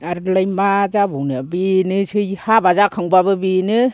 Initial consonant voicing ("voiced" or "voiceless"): voiced